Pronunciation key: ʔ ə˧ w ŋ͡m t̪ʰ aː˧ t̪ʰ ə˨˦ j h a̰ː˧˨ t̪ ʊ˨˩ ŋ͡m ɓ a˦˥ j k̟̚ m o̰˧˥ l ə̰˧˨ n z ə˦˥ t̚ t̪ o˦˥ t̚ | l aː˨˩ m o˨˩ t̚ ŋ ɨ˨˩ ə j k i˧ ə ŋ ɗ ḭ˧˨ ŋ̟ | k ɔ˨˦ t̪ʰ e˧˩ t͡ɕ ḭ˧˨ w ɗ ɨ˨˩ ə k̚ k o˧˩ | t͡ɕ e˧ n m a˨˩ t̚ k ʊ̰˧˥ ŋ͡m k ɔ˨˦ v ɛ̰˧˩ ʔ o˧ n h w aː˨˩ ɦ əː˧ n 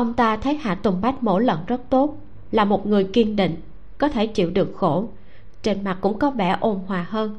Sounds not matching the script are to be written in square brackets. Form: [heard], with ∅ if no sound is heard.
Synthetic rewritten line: ʔ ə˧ w ŋ͡m [t̪] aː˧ t̪ʰ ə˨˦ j h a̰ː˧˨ t̪ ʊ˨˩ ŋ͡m ɓ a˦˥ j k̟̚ m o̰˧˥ l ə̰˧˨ n z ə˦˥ t̚ t̪ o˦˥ t̚ | l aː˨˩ m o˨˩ t̚ ŋ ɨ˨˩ ə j k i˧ ə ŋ ɗ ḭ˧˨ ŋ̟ | k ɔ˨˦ t̪ʰ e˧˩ t͡ɕ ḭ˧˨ w ɗ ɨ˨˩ ə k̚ [x] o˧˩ | t͡ɕ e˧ n m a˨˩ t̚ k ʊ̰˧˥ ŋ͡m k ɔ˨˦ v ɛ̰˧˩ ʔ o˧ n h w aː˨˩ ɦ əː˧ n